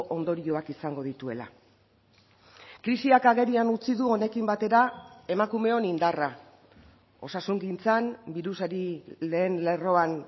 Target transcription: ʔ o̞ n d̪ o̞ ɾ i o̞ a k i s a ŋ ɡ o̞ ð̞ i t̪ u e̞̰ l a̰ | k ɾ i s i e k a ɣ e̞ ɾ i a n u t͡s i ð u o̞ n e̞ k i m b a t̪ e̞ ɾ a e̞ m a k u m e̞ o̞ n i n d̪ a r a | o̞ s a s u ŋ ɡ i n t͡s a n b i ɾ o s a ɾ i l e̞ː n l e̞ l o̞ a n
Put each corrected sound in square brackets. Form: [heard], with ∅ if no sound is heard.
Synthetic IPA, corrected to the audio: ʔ o̞ n d̪ o̞ ɾ i o̞ a k i s a ŋ ɡ o̞ ð̞ i t̪ u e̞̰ l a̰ | k ɾ i s i [a] k a ɣ e̞ ɾ i a n u t͡s i ð u o̞ n e̞ k i m b a t̪ e̞ ɾ a e̞ m a k u m e̞ o̞ n i n d̪ a r a | o̞ s a s u ŋ ɡ i n t͡s a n b i ɾ [u] s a ɾ i l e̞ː n l e̞ [r] o̞ a n